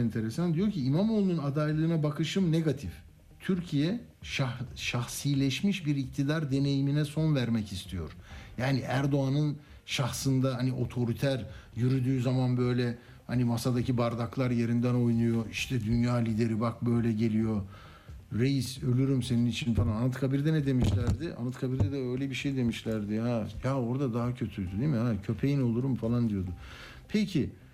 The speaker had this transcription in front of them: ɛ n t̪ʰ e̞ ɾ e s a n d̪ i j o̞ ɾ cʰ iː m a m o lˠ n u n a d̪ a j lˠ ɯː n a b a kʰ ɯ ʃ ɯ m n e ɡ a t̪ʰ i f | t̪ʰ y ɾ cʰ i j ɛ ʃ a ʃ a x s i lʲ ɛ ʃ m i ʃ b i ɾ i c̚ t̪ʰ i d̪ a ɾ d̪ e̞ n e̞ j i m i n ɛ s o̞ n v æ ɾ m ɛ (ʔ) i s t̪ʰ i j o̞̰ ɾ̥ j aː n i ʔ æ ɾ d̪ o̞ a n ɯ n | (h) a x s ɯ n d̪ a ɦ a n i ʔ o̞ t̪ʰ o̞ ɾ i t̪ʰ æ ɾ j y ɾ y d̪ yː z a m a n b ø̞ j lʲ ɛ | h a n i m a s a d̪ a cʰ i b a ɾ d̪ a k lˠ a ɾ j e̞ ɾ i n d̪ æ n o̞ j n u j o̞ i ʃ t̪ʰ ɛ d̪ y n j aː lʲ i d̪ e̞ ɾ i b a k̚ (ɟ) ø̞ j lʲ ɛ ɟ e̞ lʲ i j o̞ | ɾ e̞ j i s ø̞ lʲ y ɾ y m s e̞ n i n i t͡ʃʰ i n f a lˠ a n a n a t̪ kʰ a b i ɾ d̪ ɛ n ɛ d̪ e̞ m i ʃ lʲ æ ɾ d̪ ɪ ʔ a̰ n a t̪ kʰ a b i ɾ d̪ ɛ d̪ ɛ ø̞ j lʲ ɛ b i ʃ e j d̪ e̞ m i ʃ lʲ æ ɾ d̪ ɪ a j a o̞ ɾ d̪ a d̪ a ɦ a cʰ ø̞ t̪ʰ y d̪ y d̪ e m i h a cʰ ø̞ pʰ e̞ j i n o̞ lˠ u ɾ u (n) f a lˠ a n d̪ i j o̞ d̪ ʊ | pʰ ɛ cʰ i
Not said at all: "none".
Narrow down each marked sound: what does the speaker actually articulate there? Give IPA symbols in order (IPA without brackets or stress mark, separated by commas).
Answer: c, ʃ, b, m